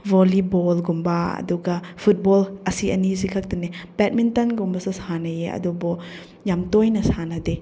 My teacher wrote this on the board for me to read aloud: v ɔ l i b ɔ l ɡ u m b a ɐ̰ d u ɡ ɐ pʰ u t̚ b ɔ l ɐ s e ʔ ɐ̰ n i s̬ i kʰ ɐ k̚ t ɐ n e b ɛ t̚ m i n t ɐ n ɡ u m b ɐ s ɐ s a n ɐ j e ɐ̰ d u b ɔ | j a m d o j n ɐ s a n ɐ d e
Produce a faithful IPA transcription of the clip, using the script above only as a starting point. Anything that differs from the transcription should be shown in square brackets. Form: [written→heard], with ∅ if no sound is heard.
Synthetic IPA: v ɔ l i b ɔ l ɡ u m b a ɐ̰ d u ɡ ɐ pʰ u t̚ b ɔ l ɐ s [e→i] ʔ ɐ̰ n i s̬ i kʰ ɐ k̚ t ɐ n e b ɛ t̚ m i n t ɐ n ɡ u m b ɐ s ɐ s a n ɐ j e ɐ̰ d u b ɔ | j a m [d→t] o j n ɐ s a n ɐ d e